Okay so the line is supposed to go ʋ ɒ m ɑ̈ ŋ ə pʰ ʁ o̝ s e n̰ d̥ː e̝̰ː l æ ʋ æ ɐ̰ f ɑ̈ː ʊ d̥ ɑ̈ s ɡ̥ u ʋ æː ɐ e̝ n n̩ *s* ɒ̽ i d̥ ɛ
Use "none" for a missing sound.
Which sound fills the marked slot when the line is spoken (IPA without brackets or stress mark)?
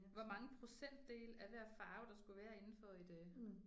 f